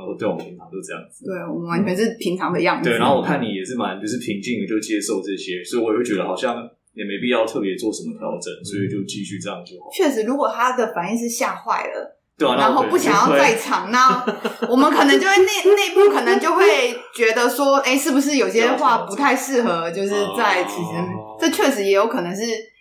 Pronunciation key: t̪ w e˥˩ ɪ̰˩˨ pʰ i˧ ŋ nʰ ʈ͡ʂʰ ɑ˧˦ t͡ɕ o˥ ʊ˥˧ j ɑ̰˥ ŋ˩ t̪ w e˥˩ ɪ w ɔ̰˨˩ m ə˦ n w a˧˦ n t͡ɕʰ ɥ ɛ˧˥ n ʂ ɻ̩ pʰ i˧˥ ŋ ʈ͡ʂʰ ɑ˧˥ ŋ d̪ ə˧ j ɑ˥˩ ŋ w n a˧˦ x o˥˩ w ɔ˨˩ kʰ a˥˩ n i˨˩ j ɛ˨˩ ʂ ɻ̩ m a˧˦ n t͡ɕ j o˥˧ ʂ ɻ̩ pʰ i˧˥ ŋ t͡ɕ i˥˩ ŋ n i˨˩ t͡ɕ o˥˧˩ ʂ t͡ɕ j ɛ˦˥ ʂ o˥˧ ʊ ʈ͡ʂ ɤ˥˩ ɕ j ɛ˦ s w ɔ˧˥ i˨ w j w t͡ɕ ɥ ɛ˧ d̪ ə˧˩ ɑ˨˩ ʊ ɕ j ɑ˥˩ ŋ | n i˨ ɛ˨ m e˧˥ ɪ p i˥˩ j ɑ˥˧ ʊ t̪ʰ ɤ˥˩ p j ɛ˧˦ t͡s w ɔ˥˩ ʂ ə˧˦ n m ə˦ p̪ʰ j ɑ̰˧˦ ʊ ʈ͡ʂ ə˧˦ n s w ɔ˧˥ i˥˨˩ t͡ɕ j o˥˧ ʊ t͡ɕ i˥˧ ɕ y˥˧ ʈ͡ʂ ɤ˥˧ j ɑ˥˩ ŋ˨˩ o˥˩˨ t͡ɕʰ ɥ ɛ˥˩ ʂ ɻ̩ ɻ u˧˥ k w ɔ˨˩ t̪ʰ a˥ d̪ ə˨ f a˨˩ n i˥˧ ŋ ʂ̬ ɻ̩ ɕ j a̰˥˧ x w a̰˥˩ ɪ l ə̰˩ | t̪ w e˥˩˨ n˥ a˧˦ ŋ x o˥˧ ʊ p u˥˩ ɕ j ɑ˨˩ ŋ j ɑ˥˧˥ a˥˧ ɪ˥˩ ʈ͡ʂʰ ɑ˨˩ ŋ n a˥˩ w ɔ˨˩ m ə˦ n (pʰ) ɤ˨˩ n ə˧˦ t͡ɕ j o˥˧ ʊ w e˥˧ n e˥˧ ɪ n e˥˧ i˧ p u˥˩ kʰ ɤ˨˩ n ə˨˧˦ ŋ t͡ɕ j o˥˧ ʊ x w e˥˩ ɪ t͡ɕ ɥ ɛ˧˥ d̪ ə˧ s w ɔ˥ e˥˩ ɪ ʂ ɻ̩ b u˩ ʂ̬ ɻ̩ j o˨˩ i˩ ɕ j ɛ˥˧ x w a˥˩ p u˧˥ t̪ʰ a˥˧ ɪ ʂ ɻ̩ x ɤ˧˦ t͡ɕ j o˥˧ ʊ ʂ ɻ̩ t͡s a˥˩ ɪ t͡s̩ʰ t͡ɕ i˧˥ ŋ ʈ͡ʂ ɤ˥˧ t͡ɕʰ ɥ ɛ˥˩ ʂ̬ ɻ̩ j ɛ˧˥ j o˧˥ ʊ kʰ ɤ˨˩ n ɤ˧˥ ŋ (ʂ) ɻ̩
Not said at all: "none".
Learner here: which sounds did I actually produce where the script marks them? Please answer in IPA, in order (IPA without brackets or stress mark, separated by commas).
kʰ, ʂ